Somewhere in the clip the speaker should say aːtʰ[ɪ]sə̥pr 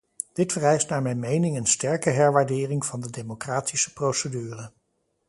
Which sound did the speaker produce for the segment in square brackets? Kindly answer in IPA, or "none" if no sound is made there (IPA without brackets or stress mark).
i